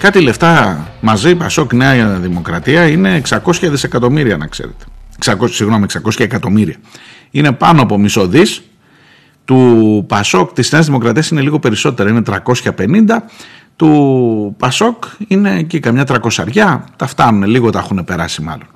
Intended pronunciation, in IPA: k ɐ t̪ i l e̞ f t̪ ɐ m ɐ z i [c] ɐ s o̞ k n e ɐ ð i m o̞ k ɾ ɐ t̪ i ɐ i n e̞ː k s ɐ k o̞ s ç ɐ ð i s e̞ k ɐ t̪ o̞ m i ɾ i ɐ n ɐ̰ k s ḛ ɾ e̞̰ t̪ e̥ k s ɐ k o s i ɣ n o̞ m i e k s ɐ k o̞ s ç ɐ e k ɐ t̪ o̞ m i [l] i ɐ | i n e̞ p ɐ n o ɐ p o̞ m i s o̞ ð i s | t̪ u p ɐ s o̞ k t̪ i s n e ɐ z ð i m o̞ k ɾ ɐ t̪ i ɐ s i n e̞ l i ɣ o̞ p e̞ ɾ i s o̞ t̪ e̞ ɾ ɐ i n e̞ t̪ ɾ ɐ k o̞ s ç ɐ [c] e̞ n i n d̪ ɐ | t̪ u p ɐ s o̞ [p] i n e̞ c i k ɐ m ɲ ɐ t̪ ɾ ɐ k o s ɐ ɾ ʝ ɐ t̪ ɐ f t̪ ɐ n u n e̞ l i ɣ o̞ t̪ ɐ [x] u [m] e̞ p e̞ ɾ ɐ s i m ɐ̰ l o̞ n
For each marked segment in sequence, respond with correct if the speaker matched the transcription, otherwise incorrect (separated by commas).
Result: incorrect, incorrect, incorrect, incorrect, correct, incorrect